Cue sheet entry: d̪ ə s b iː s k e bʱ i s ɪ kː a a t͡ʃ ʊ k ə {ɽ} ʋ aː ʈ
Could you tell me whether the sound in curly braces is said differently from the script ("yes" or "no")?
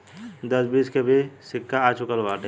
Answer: yes